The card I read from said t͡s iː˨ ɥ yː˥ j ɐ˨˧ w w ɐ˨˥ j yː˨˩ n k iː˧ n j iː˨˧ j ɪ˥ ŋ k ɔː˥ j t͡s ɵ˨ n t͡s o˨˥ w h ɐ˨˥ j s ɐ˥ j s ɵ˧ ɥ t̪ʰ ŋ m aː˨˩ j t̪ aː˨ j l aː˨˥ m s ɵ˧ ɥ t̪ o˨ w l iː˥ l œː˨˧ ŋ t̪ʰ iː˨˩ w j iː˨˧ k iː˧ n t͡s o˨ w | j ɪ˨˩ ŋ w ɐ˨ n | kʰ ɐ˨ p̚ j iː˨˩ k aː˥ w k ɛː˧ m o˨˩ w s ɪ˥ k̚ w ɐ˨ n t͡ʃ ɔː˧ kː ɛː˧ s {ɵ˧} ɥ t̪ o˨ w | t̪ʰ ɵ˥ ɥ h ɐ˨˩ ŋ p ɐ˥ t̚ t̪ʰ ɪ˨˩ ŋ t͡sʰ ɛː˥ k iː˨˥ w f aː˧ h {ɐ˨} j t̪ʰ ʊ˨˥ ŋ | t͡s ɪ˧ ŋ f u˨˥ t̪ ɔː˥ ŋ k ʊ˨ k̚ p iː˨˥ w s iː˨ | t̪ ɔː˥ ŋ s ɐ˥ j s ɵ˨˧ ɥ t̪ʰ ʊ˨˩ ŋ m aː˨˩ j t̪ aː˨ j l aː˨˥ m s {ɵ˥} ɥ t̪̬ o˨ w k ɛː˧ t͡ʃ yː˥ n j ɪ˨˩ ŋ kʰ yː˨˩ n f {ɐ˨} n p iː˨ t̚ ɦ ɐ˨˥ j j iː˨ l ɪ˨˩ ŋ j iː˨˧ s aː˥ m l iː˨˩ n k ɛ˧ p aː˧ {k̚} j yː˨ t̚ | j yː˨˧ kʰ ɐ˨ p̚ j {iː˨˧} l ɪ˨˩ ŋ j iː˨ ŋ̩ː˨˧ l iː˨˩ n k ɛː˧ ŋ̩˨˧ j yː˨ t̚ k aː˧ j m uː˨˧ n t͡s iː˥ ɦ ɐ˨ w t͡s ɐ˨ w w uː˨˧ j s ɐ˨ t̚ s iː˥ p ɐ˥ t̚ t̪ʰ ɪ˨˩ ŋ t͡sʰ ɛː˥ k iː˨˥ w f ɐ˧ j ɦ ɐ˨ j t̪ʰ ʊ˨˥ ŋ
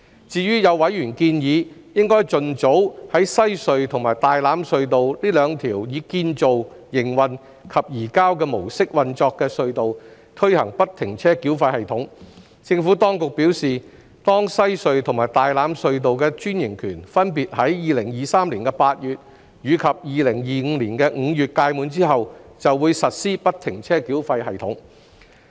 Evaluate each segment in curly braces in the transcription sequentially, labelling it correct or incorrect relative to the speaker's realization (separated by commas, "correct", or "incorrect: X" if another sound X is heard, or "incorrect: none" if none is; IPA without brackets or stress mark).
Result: correct, correct, incorrect: ɵ˧, incorrect: ɐ˥, incorrect: t̚, correct